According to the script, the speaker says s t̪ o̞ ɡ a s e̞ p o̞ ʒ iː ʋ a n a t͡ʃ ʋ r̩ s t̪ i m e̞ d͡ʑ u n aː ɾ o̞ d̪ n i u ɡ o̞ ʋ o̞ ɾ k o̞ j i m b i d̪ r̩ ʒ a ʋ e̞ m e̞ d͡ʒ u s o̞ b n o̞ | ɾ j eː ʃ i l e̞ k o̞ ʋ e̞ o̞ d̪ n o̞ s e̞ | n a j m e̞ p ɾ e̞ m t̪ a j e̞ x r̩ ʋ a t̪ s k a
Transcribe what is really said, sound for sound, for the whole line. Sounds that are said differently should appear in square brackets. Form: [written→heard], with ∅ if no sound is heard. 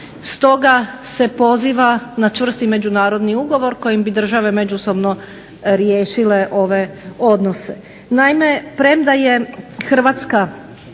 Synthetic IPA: s t̪ o̞ ɡ a s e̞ p o̞ [ʒ→z] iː ʋ a n a t͡ʃ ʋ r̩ s t̪ i m e̞ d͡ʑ u n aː ɾ o̞ d̪ n i u ɡ o̞ ʋ o̞ ɾ k o̞ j i m b i d̪ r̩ ʒ a ʋ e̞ m e̞ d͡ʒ u s o̞ b n o̞ | ɾ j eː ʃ i l e̞ [k→ʔ] o̞ ʋ e̞ o̞ d̪ n o̞ s e̞ | n a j m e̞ p ɾ e̞ m [t̪→d̪] a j e̞ x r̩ ʋ a t̪ s k a